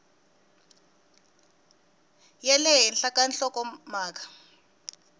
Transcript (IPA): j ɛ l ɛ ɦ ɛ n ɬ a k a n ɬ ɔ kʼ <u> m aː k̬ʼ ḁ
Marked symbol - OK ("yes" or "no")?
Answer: no